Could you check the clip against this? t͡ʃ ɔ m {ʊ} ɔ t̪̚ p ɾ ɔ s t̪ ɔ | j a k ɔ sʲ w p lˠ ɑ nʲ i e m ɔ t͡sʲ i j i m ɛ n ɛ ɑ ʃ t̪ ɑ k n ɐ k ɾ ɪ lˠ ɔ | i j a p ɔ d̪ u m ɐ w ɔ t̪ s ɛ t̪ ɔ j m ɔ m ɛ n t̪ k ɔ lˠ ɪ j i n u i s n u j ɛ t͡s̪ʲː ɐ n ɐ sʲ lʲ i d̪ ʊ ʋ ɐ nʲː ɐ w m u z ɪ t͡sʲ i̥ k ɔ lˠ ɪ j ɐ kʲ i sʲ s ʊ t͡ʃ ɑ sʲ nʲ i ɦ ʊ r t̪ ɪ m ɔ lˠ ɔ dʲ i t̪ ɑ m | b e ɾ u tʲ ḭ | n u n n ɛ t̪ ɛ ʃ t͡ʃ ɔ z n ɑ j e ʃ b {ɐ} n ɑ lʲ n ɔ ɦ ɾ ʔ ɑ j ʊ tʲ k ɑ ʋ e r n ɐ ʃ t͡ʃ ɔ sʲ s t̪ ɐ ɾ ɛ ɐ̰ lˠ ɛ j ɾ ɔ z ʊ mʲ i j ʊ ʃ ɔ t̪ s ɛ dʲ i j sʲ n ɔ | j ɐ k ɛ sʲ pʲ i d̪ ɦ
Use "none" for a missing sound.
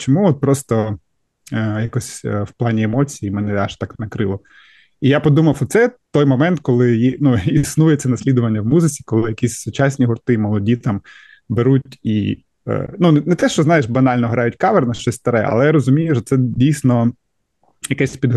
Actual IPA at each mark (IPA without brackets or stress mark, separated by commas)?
u, ɐ